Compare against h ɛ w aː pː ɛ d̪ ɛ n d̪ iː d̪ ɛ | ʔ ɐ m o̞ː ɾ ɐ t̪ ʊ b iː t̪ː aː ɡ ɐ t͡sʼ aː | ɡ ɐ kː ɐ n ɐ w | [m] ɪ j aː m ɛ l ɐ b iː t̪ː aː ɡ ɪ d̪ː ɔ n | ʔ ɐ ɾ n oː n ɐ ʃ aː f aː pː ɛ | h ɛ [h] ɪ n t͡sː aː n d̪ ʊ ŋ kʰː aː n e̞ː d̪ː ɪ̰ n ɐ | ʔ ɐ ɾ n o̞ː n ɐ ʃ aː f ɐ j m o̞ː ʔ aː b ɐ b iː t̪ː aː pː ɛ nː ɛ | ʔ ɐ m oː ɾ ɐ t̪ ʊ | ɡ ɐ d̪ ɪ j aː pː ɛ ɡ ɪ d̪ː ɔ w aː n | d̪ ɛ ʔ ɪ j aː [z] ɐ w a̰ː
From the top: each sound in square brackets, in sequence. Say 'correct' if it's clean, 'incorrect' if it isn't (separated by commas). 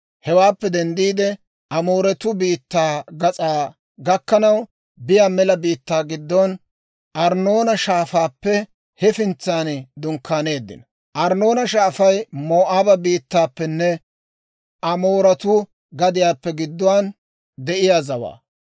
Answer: incorrect, incorrect, correct